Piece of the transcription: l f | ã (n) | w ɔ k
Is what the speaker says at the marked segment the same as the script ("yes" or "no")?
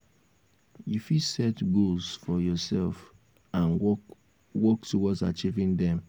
yes